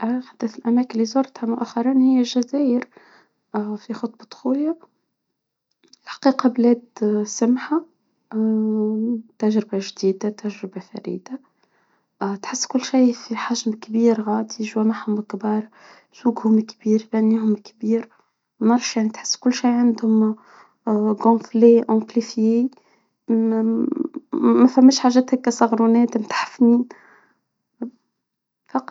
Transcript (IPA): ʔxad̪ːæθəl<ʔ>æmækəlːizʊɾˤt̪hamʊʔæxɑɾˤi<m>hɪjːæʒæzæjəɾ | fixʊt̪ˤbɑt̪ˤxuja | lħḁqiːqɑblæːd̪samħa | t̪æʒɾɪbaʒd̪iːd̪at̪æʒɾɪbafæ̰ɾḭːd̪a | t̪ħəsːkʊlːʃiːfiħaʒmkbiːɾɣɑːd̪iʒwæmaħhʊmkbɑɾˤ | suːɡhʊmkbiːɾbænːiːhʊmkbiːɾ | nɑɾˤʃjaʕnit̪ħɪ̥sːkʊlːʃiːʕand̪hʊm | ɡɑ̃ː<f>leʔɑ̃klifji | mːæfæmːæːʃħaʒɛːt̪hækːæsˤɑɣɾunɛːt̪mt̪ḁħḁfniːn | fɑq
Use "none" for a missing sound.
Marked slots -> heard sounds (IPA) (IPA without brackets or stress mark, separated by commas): ʔ, n, f